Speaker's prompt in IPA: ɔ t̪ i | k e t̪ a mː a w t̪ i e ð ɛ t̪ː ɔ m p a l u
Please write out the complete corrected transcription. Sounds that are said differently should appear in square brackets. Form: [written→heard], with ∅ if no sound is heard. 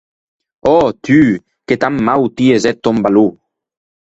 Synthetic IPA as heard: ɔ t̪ [i→y] | k e t̪ a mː a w t̪ i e [ð→z] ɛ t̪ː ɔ m [p→b] a l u